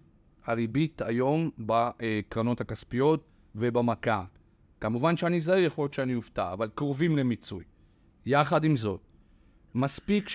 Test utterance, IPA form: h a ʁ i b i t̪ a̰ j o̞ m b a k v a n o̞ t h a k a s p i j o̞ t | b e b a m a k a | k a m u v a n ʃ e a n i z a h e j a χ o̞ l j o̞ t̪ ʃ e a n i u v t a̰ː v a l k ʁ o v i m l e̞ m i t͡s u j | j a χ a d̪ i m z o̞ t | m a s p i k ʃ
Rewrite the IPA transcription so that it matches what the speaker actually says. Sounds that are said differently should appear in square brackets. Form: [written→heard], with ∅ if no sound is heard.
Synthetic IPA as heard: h a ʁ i b i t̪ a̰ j o̞ m b a k [v→ʁ] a n o̞ t h a k a s p i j o̞ t | [b→v] e b a m a k a | k a m u v a n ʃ e a n i z a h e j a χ o̞ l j o̞ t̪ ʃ e a n i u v t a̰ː v a l k ʁ o v i m l e̞ m i t͡s u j | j a χ a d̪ i m z o̞ t | m a s p i k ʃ